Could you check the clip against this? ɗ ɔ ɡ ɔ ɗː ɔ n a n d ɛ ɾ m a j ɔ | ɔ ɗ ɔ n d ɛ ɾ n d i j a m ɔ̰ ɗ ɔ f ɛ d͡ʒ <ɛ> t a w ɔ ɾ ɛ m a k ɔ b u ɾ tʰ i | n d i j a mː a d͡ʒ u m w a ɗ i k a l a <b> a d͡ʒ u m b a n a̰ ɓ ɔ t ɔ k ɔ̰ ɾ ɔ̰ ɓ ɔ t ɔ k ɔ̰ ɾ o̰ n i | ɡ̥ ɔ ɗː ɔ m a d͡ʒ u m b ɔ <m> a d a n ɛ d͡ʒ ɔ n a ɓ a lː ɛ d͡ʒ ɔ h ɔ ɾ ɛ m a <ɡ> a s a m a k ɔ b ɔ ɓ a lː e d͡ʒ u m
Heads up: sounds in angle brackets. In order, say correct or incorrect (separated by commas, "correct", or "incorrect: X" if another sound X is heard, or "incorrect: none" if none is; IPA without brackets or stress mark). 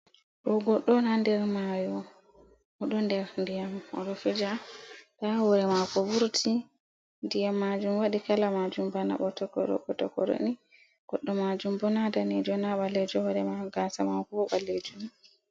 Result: incorrect: a, incorrect: m, incorrect: n, correct